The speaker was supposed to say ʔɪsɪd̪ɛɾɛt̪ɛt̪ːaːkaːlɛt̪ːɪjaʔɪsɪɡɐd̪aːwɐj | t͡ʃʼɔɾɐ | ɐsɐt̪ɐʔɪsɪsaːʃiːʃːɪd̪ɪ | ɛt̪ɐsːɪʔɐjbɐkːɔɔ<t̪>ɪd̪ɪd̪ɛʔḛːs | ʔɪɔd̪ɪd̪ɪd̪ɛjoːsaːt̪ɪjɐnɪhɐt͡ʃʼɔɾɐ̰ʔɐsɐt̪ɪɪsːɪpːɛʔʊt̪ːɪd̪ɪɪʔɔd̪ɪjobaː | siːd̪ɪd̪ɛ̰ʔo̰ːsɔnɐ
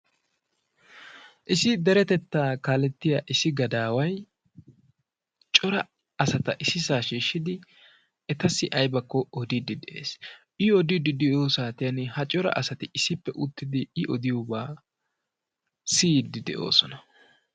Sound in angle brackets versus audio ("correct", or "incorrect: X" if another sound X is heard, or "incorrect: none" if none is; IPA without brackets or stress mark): incorrect: d̪